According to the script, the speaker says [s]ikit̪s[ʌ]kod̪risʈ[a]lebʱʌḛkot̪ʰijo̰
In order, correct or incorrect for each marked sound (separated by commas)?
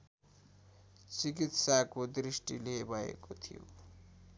incorrect, incorrect, incorrect